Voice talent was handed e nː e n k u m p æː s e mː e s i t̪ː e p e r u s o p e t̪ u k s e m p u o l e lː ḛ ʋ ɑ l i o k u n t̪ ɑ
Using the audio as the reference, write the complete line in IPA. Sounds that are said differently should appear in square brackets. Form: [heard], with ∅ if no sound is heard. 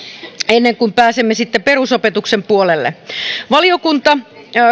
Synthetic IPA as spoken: e nː e [ŋ] k u m p æː s e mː e s i t̪ː e p e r u s o p e t̪ u k s e m p u o l e lː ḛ ʋ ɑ l i o k u n t̪ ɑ

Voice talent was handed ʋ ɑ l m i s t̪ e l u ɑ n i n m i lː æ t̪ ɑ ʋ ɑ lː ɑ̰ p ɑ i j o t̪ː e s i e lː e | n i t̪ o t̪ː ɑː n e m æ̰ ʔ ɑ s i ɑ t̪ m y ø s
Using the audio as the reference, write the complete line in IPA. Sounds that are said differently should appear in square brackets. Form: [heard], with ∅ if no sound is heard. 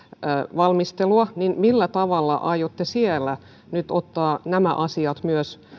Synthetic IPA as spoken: ʋ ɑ l m i s t̪ e l u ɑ n i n m i lː æ t̪ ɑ ʋ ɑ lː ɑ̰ [ʔ] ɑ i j o t̪ː e s i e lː [æ] | n [y] t̪ o t̪ː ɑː n [æ] m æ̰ ʔ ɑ s i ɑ t̪ m y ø s

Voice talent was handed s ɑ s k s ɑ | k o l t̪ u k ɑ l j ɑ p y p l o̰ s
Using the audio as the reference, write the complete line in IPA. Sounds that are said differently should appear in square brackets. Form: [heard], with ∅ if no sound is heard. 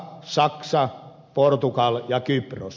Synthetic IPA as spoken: s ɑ [∅] k s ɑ | [p] o [r] t̪ u k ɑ l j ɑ [k] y p [r] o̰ s

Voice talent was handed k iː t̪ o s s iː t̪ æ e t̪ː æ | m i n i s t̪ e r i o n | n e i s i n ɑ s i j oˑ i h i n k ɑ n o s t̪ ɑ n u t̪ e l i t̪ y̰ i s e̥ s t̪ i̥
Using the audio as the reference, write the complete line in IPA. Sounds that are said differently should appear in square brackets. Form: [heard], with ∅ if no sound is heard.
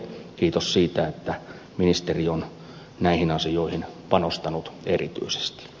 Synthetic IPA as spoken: k iː t̪ o s s iː t̪ æ e t̪ː æ | m i n i s t̪ e r i o n | n [æ] i [h] i n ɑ s i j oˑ i h i n [p] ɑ n o s t̪ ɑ n u t̪ e [r] i t̪ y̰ i s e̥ s t̪ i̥

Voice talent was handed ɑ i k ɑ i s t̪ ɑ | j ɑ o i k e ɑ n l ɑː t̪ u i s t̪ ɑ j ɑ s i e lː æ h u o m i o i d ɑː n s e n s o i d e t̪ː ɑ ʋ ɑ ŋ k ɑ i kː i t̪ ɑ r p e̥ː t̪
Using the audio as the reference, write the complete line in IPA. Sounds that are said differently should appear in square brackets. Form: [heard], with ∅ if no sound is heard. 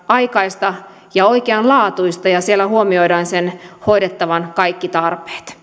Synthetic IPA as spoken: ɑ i k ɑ i s t̪ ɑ | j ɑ o i k e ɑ n l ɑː t̪ u i s t̪ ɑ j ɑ s i e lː æ h u o m i o i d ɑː n s e n [h] o i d e t̪ː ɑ ʋ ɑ [n] k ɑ i kː i t̪ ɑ r p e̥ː t̪

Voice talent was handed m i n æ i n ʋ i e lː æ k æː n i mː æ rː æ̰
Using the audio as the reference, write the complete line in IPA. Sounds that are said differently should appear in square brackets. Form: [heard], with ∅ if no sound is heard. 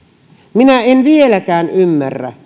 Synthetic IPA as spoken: m i n æ [e] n ʋ i e [l] æ k æː n [y] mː æ rː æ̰

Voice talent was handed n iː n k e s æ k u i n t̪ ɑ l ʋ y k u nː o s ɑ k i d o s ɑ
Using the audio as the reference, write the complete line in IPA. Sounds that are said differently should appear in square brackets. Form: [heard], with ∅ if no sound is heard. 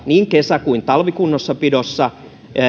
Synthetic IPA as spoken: n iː [ŋ] k e s æ k u i n t̪ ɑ l ʋ [i] k u nː o [sː] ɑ [p] i d o [sː] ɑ

